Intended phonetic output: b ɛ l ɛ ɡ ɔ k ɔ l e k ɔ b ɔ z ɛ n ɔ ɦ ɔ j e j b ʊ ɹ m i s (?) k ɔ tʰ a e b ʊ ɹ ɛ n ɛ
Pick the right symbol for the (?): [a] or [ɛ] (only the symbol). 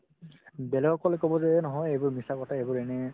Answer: a